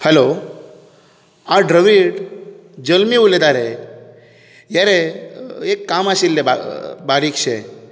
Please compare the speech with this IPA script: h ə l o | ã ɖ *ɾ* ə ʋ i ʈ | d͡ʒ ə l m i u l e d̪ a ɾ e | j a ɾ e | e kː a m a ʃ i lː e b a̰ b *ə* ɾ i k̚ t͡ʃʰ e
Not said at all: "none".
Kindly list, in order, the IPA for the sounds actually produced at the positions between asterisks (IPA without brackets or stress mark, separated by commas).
ɾ, a